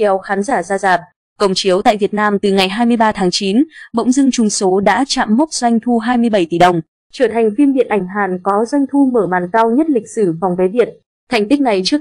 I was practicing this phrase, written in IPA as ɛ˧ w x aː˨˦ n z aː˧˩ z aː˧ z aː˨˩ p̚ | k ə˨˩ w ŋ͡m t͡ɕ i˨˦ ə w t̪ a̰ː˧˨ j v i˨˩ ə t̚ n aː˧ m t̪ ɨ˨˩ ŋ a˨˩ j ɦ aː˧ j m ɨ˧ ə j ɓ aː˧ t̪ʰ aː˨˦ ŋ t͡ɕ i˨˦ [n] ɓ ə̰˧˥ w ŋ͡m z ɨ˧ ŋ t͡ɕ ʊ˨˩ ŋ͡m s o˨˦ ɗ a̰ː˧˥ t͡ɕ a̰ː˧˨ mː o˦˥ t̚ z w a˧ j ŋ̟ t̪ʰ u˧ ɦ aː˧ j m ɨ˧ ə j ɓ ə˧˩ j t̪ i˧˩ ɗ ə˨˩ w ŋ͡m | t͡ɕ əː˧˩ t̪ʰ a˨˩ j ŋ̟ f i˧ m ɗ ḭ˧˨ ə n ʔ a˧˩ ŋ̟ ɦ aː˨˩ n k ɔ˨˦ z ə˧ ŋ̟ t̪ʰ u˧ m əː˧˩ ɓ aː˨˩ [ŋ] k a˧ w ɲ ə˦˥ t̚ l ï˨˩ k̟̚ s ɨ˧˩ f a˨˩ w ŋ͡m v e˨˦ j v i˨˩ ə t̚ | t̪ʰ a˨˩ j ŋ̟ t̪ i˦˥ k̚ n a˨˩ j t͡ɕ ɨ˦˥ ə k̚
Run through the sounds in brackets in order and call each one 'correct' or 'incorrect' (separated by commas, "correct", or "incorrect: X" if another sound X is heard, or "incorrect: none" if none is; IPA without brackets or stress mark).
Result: correct, incorrect: n